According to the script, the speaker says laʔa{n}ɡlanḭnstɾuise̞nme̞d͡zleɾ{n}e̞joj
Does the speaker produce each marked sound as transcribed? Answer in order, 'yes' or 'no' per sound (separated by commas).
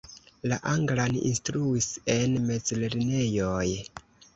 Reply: no, yes